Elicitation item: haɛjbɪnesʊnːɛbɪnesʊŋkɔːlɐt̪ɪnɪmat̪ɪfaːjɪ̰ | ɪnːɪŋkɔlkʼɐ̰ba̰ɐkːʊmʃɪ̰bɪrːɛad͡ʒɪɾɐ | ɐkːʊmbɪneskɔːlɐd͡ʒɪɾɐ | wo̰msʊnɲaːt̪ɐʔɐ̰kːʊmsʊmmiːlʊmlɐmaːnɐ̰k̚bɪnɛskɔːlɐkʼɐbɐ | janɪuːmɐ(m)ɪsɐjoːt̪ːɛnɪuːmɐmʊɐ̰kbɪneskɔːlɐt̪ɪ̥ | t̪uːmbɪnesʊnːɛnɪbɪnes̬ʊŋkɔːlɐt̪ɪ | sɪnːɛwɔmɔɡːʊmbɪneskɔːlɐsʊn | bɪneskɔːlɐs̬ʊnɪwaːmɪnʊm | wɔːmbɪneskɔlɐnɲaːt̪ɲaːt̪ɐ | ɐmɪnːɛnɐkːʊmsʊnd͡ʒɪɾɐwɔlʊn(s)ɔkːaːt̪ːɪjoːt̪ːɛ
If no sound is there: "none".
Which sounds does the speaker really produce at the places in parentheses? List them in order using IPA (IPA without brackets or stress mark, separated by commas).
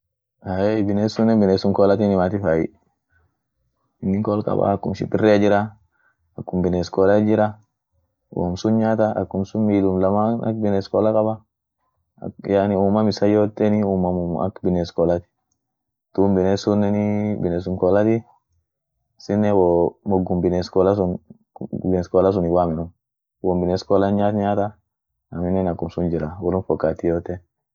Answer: m, f